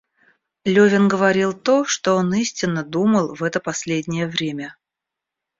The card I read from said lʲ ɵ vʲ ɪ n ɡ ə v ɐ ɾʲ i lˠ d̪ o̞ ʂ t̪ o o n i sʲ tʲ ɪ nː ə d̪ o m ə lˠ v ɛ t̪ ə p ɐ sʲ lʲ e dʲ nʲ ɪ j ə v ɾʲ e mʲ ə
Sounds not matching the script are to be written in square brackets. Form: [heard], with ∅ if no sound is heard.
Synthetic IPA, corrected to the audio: lʲ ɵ vʲ ɪ n ɡ ə v ɐ ɾʲ i lˠ [t̪] o̞ ʂ t̪ o o n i sʲ tʲ ɪ nː ə d̪ [u] m ə lˠ v ɛ t̪ ə p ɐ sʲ lʲ e dʲ nʲ ɪ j ə v ɾʲ e mʲ ə